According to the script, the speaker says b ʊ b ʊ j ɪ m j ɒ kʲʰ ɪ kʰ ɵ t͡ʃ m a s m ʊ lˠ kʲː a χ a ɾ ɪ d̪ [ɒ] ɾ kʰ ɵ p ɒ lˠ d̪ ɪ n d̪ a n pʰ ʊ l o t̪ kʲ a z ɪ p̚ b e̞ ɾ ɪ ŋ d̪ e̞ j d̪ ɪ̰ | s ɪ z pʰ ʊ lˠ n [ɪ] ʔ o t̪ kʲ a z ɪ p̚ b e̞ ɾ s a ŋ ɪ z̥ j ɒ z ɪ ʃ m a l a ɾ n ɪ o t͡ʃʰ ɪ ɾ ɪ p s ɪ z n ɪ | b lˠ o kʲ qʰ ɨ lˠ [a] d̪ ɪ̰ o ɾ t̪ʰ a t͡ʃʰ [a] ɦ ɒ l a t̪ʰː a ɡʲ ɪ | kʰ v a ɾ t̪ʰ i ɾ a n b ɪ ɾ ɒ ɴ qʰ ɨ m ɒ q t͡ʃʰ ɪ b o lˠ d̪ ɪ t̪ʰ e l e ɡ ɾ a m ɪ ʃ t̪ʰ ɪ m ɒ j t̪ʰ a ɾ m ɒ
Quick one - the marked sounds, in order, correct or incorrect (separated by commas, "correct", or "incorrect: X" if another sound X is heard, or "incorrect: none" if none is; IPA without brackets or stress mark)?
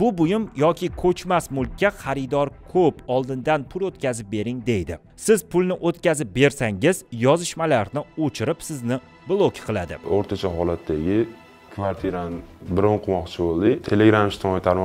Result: correct, correct, correct, correct